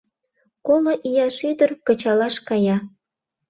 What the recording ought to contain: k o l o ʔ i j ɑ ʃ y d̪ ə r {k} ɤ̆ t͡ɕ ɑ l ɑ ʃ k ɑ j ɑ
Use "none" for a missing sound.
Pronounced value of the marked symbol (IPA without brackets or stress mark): k